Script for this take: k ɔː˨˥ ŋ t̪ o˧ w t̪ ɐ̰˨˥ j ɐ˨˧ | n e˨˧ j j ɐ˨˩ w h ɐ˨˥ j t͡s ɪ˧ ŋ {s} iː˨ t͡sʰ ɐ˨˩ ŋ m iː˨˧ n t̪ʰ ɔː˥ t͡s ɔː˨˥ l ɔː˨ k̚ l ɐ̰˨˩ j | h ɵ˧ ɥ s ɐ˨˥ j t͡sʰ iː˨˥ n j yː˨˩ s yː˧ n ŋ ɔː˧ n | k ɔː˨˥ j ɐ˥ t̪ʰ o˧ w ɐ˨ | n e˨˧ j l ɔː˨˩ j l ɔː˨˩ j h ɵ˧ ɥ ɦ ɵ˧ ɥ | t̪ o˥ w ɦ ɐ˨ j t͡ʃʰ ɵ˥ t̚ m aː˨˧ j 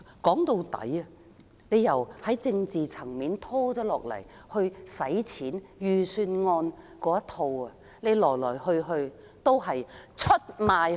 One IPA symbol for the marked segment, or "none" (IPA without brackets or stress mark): t͡s